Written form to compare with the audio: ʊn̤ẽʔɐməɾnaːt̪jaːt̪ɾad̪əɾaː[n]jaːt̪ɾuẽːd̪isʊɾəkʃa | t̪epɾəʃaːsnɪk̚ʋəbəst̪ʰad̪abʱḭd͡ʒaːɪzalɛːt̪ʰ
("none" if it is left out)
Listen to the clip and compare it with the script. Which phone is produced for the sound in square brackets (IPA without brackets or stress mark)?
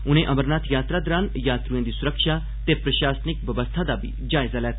n